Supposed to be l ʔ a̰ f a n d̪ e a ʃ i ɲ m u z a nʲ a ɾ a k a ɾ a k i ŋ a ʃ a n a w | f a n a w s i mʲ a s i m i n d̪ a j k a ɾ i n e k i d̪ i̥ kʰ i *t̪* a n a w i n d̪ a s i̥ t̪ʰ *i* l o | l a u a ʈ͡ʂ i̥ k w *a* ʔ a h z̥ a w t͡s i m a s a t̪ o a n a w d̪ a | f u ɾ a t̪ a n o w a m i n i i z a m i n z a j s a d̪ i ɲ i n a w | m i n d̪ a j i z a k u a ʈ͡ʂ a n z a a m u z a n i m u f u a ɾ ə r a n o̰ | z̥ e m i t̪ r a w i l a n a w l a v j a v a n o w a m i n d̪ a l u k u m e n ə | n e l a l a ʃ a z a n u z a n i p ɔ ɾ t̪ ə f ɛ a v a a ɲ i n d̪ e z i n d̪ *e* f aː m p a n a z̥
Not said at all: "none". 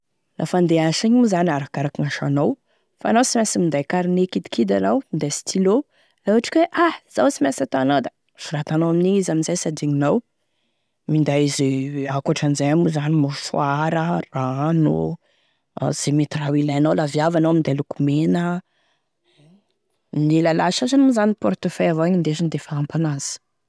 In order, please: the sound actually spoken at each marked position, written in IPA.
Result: d̪, i, e, e

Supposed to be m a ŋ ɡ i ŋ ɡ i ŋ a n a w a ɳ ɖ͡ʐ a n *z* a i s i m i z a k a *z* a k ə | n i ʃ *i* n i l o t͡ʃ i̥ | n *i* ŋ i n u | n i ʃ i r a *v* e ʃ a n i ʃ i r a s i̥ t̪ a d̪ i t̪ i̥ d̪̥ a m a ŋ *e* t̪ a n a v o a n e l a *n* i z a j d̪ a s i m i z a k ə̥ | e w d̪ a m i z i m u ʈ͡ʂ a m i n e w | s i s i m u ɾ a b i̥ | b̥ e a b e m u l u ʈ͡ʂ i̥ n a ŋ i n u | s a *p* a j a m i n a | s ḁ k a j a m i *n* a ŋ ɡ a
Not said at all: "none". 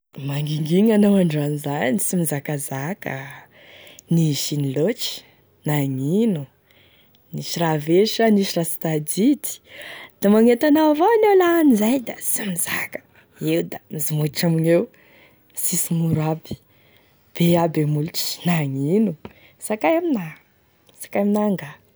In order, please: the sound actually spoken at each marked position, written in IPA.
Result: z, z, i, a, v, e, n, k, n

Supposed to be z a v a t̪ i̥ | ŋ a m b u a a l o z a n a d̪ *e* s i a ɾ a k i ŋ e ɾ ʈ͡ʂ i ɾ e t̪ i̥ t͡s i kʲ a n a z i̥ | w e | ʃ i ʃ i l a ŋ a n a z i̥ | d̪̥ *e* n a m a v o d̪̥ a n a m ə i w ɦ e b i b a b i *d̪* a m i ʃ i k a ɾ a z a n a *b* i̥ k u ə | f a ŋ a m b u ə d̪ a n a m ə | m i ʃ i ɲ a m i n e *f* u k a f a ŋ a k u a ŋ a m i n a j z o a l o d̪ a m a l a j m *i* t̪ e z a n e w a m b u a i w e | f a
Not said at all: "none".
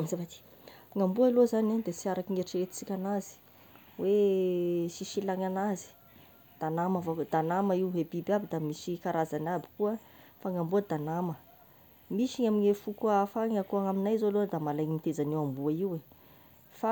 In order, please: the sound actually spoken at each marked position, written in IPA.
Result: e, a, d̪, b, f, i

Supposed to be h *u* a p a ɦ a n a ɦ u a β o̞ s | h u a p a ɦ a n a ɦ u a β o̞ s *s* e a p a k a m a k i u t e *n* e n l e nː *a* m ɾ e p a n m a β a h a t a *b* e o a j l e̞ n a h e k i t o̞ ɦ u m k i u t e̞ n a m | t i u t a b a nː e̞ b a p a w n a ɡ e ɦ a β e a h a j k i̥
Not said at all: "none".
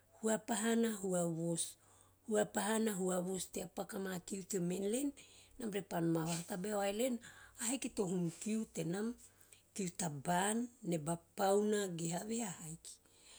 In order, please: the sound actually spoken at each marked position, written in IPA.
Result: u, t, m, a, b

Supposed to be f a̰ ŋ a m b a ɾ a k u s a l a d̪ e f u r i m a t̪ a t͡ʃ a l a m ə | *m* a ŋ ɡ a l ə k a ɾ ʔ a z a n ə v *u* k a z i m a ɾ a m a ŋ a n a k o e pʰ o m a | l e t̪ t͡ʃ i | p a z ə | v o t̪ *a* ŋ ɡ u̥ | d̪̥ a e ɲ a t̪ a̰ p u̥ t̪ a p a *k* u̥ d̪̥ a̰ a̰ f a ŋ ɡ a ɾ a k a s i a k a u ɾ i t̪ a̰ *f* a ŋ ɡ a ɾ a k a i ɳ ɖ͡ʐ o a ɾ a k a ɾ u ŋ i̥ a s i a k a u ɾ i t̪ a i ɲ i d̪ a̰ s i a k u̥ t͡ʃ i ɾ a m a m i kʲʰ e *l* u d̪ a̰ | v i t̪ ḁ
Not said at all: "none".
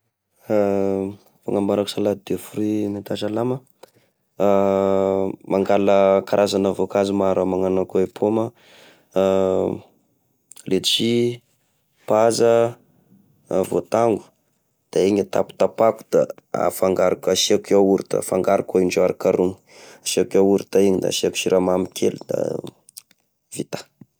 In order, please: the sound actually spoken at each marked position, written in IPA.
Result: m, o, a, k, f, l

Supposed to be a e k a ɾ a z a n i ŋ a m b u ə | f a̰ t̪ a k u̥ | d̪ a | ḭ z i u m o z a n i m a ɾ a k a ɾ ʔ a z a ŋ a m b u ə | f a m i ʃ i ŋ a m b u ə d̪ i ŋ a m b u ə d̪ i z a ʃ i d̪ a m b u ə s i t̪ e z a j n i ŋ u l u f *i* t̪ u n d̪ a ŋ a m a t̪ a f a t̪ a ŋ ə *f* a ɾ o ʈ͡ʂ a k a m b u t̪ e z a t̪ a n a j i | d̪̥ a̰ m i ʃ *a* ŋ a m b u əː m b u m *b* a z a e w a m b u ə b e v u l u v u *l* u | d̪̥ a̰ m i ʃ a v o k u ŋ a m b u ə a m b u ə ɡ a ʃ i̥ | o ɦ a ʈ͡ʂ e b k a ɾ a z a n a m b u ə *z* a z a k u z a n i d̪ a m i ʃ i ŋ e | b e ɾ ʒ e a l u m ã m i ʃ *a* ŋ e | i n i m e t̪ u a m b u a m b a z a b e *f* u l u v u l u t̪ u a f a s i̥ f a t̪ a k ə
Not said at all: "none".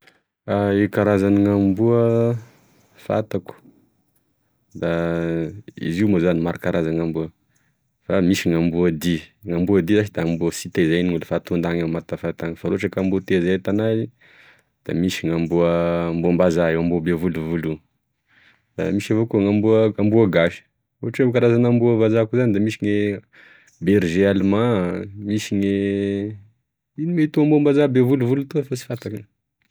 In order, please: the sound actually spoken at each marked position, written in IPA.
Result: a, f, i, b, l, v, i, v

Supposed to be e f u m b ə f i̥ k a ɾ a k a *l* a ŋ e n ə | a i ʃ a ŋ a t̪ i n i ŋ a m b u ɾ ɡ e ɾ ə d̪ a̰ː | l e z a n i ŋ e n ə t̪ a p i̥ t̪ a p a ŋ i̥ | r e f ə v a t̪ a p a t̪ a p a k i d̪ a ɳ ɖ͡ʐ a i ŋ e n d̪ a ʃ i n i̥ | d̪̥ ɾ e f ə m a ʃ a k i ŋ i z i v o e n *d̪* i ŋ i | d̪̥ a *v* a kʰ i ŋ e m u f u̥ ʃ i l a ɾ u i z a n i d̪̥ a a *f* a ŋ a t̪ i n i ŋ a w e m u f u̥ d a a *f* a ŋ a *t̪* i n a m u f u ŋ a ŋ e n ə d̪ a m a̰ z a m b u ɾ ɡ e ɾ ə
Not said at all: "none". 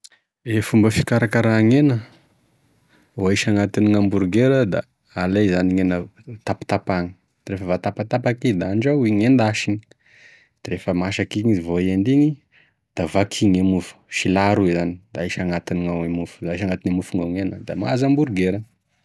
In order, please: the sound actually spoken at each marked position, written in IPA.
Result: ɾ, d̪, v, ʃ, ʃ, t̪

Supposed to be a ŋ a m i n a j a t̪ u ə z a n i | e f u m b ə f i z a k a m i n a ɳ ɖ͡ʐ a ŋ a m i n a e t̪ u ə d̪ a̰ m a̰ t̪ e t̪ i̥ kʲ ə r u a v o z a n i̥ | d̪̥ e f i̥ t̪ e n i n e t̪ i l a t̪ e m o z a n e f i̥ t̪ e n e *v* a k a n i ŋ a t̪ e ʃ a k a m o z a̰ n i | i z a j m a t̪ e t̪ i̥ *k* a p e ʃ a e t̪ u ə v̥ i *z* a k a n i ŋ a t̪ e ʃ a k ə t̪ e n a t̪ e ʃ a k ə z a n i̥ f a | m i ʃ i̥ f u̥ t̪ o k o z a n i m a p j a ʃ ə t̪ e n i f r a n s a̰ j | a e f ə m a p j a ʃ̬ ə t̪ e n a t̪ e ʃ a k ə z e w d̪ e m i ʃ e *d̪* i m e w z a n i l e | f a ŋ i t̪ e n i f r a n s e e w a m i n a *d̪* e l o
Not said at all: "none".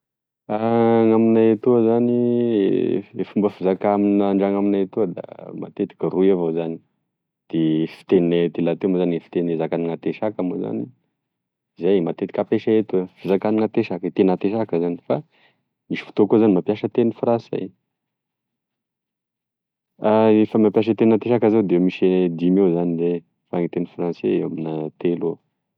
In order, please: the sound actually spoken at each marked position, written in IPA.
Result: z, k, z, d̪, t̪

